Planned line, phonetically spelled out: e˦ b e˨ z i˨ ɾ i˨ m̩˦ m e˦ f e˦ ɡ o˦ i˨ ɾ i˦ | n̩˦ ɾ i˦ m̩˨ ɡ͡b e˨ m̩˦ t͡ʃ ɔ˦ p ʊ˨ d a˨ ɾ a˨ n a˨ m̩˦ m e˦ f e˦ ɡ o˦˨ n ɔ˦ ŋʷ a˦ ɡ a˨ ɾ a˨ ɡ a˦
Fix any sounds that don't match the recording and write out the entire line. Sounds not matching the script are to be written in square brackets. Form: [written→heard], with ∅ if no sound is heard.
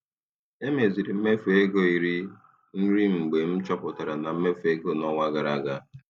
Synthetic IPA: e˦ [b→m] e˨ z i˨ ɾ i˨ m̩˦ m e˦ f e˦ ɡ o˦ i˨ ɾ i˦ | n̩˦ ɾ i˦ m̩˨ ɡ͡b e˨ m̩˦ t͡ʃ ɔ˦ p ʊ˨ [d→t] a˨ ɾ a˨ n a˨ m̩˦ m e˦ f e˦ ɡ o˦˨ n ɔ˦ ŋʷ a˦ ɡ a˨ ɾ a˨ ɡ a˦